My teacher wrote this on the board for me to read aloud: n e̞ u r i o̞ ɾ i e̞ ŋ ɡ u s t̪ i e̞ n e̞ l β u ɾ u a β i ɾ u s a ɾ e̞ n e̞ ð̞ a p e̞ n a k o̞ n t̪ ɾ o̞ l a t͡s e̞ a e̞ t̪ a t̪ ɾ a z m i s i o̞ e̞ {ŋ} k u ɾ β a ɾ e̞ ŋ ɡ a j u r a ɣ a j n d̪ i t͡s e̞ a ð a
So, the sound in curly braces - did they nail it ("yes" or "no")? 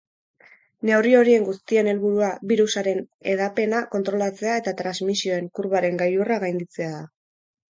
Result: yes